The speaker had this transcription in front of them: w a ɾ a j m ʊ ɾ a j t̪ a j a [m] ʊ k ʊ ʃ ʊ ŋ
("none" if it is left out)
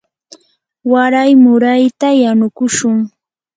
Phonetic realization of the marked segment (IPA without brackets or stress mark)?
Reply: n